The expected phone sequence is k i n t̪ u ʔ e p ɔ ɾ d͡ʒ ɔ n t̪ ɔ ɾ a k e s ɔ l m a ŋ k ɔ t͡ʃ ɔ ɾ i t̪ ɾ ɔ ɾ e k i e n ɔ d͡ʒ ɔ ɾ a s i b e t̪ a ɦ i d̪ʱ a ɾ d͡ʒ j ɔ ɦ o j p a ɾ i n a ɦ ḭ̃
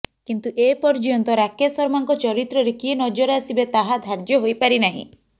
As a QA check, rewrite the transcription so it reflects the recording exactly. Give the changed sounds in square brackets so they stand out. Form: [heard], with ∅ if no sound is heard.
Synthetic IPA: k i n t̪ u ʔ e p ɔ ɾ d͡ʒ ɔ n t̪ ɔ ɾ a k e s ɔ [ɾ] m a ŋ k ɔ t͡ʃ ɔ ɾ i t̪ ɾ ɔ ɾ e k i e n ɔ d͡ʒ ɔ ɾ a s i b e t̪ a ɦ [a] d̪ʱ a ɾ d͡ʒ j ɔ ɦ o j p a ɾ i n a ɦ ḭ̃